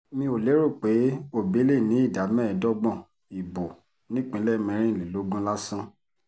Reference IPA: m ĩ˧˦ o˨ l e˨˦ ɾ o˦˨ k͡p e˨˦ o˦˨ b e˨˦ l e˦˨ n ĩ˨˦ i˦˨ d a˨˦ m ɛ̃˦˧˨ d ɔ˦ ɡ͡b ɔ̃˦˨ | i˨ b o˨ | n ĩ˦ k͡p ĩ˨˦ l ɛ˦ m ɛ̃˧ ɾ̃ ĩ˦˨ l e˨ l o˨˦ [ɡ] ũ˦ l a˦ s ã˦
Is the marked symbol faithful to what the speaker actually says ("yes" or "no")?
yes